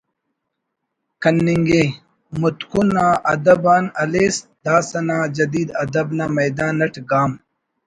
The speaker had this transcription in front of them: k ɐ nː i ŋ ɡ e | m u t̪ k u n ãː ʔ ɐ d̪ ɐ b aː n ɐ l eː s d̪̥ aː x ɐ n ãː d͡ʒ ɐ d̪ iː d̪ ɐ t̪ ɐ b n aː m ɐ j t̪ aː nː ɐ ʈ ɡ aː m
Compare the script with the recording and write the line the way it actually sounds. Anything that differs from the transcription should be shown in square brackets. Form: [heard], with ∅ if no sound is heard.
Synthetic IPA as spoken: k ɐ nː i ŋ ɡ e | m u t̪ k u n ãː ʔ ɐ d̪ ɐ b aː n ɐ l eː s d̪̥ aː [s] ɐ n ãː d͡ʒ ɐ d̪ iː d̪ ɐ [d̪] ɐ b n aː m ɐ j [d̪] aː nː ɐ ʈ ɡ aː m